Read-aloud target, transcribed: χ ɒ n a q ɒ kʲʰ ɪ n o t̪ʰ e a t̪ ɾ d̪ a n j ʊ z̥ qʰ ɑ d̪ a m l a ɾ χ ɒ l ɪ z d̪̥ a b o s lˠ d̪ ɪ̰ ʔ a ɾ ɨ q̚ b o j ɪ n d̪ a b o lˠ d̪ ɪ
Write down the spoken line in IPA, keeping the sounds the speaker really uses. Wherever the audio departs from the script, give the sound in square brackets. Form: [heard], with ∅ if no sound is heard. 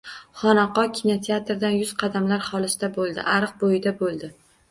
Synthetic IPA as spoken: χ ɒ n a q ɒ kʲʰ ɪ n o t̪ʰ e a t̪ ɾ d̪ a n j ʊ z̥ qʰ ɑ d̪ a m l a ɾ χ ɒ l ɪ [s] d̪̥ a b o [∅] lˠ d̪ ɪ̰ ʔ a ɾ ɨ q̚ b o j ɪ [∅] d̪ a b o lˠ d̪ ɪ

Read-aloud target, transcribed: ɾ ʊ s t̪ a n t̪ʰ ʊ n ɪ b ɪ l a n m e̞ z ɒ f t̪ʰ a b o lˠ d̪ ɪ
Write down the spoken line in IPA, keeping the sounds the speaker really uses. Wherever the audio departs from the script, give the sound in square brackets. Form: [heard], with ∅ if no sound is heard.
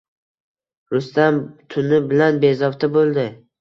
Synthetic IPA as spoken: ɾ ʊ s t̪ a [m] t̪ʰ ʊ n ɪ b ɪ l a n [b] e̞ z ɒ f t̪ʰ a b o lˠ d̪ ɪ

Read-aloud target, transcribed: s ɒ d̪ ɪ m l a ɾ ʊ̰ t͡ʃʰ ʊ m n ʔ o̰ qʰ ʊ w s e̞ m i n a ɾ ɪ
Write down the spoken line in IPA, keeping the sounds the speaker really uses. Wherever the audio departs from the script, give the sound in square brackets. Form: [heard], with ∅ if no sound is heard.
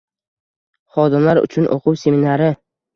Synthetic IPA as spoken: [χ] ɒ d̪ ɪ m l a ɾ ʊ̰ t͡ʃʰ ʊ [∅] n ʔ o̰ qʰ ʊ w s e̞ m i n a ɾ ɪ

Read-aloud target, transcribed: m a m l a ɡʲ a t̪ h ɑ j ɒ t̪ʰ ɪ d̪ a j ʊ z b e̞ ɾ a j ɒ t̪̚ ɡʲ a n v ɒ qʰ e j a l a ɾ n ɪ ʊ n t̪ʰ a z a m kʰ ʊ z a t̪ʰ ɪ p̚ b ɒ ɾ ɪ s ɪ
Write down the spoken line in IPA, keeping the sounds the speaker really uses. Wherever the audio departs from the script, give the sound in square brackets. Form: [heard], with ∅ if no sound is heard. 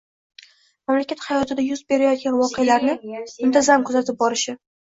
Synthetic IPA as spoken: m a m l a [kʲ] a t̪ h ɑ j ɒ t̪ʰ ɪ d̪ a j ʊ z b e̞ ɾ a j ɒ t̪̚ ɡʲ a n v ɒ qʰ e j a l a ɾ n ɪ ʊ n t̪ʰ a z a m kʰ ʊ z a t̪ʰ ɪ p̚ b ɒ ɾ ɪ [ʃ] ɪ

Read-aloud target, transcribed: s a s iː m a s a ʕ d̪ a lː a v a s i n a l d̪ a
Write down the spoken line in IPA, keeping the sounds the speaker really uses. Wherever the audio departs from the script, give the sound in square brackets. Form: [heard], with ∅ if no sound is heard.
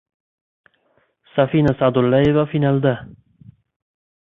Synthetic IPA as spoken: s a [f] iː [n] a s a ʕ d̪ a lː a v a [f] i n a l d̪ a

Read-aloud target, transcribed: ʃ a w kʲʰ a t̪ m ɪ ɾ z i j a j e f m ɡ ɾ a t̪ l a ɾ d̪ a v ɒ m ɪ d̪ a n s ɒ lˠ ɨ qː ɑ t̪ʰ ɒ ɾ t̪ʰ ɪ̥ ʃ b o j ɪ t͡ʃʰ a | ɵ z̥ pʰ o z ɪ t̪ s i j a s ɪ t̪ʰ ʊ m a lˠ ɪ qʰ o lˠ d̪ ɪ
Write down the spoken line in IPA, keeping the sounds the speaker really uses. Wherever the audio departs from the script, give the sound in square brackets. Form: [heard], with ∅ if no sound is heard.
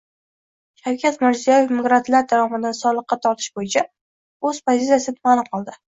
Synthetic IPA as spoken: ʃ a w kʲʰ a t̪ m ɪ ɾ z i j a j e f m ɡ ɾ a t̪ l a ɾ d̪ a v ɒ m ɪ d̪ a n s ɒ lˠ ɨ qː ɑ t̪ʰ ɒ ɾ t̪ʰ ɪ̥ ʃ b o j ɪ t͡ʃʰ a | ɵ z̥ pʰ o z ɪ t̪ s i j a s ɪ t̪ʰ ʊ m a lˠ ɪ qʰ [ɒ] lˠ d̪ ɪ

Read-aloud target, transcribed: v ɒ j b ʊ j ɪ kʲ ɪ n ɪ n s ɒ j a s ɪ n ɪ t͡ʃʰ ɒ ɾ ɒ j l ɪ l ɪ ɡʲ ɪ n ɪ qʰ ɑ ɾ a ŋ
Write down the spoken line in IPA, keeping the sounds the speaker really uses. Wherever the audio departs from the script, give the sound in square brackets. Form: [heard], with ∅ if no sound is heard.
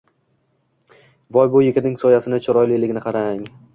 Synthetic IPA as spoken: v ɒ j b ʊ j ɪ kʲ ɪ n ɪ [ŋ] s ɒ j a s ɪ n ɪ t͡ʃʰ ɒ ɾ ɒ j l ɪ l ɪ ɡʲ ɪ n ɪ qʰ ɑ ɾ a ŋ

